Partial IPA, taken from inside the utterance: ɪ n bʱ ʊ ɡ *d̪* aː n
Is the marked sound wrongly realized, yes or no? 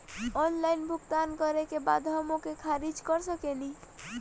yes